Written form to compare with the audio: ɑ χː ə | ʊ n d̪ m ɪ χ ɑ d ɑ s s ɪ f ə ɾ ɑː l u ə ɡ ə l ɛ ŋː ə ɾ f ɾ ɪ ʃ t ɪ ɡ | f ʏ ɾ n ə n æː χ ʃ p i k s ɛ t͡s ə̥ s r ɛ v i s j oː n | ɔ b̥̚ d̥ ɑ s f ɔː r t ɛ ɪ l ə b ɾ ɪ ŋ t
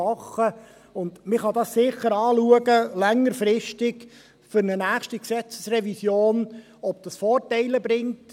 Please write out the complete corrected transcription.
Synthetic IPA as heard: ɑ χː ə | ʊ n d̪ m ɪ χ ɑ d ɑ s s ɪ χ ə ɾ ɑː l u ə ɡ ə l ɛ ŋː ə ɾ f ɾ ɪ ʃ t ɪ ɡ | f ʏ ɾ n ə n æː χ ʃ t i k s ɛ t͡s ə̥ s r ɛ v i s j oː n | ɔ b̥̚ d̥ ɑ s f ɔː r t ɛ ɪ l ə b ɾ ɪ ŋ t